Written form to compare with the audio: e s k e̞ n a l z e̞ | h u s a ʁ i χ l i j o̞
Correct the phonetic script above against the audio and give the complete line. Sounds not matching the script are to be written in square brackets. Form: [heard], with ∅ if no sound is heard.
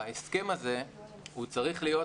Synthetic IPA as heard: e s k e̞ [m] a [∅] z e̞ | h u [t͡s] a ʁ i χ l i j o̞